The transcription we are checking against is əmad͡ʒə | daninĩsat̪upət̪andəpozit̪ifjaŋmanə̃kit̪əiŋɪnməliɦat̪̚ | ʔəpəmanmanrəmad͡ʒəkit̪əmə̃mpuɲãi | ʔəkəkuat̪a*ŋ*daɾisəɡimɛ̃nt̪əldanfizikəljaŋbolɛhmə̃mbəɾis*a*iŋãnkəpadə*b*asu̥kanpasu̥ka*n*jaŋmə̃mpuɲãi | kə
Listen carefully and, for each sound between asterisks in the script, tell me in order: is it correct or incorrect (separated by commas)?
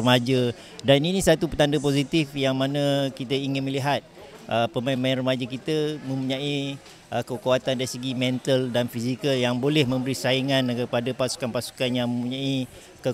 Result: incorrect, correct, incorrect, correct